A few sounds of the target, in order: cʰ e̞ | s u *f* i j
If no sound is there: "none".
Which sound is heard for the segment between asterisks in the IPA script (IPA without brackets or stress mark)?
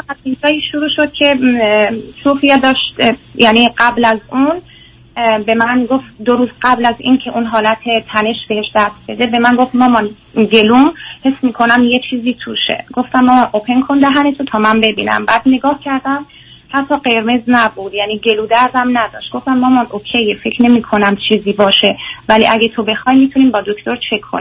f